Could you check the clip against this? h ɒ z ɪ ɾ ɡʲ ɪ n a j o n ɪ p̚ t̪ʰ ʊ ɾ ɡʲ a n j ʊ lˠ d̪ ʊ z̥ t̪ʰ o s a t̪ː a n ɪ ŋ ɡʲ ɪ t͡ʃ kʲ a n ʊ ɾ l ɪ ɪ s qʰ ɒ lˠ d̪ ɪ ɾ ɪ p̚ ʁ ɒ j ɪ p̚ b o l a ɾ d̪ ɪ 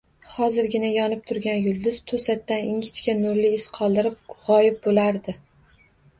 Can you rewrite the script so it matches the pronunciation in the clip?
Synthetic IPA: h ɒ z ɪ ɾ ɡʲ ɪ n a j ɒ n ɪ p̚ t̪ʰ ʊ ɾ ɡʲ a n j ʊ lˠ d̪ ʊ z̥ t̪ʰ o s a t̪ː a n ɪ ŋ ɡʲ ɪ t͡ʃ kʲ a n ʊ ɾ l ɪ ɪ s qʰ ɒ lˠ d̪ ɪ ɾ ɪ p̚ ʁ ɒ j ɪ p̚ b o l a ɾ d̪ ɪ

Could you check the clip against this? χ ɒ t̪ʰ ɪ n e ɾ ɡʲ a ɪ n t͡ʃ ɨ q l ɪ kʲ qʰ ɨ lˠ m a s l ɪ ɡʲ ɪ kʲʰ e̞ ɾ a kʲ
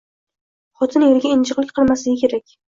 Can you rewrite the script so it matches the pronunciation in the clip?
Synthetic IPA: χ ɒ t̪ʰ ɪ n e ɾ ɡʲ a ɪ n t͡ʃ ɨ q l ɪ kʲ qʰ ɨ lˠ m a s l ɪ ɡʲ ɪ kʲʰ e̞ ɾ a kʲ

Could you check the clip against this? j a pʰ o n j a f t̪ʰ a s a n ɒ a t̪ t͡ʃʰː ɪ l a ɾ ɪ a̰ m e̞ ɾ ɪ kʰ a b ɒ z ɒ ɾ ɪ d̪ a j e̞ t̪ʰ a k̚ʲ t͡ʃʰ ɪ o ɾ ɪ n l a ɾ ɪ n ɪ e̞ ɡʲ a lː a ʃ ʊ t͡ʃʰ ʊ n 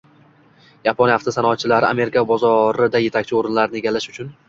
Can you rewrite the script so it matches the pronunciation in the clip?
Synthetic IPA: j a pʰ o n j a f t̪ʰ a s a n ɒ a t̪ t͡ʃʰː ɪ l a ɾ ɪ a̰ m e̞ ɾ ɪ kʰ a b ɒ z ɒ ɾ ɪ d̪ a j e̞ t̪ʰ a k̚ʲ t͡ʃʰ ɪ o ɾ ɪ n l a ɾ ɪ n ɪ e̞ ɡʲ a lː a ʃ ʊ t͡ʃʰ ʊ n

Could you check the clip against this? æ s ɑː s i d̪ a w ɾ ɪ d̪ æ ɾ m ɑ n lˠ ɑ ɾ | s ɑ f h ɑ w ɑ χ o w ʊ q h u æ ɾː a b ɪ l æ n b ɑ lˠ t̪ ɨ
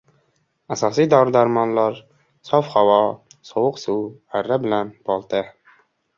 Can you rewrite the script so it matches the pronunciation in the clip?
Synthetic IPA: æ s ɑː s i d̪ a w ɾ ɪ d̪ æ ɾ m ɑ n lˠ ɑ ɾ | s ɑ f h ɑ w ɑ s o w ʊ q s u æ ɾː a b ɪ l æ n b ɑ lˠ t̪ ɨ

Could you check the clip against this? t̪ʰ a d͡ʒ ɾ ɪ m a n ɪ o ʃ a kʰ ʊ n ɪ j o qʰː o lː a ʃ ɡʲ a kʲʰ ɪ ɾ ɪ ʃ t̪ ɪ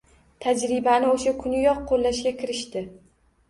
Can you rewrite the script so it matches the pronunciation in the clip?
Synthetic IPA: t̪ʰ a d͡ʒ ɾ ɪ b a n ɪ o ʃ a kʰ ʊ n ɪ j ɒ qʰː o lː a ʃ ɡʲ a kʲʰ ɪ ɾ ɪ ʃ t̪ ɪ

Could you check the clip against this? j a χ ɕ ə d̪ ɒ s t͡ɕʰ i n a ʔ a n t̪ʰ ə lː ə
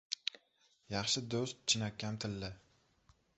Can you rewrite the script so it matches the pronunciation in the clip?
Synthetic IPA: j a χ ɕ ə d̪ o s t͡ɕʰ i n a k a m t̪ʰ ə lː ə

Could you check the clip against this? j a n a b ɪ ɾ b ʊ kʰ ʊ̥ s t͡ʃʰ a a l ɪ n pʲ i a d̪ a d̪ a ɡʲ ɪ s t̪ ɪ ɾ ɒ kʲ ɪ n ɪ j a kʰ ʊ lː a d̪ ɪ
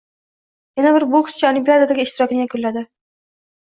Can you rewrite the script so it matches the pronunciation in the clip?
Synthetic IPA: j a n a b ɪ ɾ b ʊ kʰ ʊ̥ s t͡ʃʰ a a l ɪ m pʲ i a d̪ a d̪ a ɡʲ ɪ ʃ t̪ ɪ ɾ ɒ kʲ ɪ n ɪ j a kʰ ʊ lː a d̪ ɪ

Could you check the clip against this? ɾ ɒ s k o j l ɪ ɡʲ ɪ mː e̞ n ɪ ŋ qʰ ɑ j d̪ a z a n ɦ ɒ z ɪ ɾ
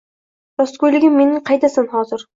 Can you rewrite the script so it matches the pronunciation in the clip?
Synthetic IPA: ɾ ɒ s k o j l ɪ ɡʲ ɪ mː e̞ n ɪ ŋ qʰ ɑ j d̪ a s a n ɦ ɒ z ɪ ɾ

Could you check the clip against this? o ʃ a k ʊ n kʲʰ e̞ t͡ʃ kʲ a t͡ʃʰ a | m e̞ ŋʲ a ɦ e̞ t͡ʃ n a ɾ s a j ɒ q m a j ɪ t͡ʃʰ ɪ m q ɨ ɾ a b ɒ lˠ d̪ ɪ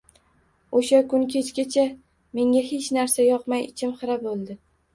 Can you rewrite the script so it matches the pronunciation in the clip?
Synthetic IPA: o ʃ a k ʊ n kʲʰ e̞ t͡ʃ kʲ a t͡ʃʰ a | m e̞ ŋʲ a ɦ e̞ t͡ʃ n a ɾ s a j ɒ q m a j ɪ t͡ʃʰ ɪ m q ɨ ɾ a b o lˠ d̪ ɪ

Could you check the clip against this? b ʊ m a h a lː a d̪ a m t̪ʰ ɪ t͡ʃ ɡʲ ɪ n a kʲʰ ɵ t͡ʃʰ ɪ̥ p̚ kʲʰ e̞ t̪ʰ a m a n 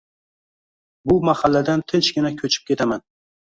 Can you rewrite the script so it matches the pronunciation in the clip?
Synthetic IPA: b ʊ m a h a lː a d̪ a n t̪ʰ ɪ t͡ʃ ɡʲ ɪ n a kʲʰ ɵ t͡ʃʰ ɪ̥ p̚ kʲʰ e̞ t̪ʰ a m a n

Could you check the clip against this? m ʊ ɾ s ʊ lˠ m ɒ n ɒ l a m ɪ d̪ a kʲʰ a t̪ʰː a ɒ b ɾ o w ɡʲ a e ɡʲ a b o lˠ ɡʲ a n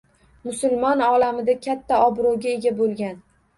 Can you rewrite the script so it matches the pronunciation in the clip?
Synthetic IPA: m ʊ s ʊ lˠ m ɒ n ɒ l a m ɪ d̪ a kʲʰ a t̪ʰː a ɒ b ɾ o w ɡʲ a e ɡʲ a b o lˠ ɡʲ a n

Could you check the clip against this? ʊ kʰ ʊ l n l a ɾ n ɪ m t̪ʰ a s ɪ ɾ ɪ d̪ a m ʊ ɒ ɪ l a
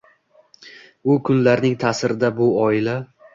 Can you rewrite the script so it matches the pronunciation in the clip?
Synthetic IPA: ʊ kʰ ʊ n l a ɾ n ɪ ŋ t̪ʰ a s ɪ ɾ ɪ d̪ a b ʊ ɒ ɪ l a

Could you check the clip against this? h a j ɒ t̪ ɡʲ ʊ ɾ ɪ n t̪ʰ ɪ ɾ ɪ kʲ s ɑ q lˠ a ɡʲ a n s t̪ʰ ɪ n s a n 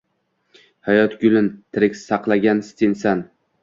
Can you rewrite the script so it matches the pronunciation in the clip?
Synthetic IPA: h a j ɒ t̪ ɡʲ ʊ l ɪ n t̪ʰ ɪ ɾ ɪ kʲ s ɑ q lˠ a ɡʲ a n s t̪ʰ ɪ n s a n

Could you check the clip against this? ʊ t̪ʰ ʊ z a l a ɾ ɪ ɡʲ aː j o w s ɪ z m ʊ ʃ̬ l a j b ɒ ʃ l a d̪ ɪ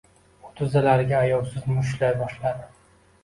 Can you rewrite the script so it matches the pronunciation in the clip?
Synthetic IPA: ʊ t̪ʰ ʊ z a l a ɾ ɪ ɡʲ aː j ɒ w s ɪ z m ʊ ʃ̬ l a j b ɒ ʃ l a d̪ ɪ

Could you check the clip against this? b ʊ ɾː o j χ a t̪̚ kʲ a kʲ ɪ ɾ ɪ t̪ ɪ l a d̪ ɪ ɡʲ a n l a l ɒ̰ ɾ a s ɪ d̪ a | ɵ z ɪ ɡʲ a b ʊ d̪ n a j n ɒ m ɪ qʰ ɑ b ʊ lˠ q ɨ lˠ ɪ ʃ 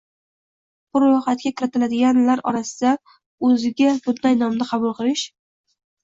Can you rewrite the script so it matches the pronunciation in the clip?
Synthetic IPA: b ʊ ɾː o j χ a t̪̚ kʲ a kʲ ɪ ɾ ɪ t̪ ɪ l a d̪ ɪ ɡʲ a n l a ɾ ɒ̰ ɾ a s ɪ d̪ a | ɵ z ɪ ɡʲ a b ʊ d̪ n a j n ɒ m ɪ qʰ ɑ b ʊ lˠ q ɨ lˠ ɪ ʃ

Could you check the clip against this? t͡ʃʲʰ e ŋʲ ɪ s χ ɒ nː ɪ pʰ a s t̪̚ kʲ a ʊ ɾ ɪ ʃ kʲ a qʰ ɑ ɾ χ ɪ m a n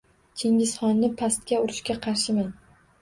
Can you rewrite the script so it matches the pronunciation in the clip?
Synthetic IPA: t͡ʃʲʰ e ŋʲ ɪ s χ ɒ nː ɪ pʰ a s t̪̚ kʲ a ʊ ɾ ɪ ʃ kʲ a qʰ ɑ ɾ ʃ ɪ m a n

